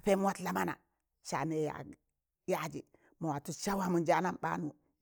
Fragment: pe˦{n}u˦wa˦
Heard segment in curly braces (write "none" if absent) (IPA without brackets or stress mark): m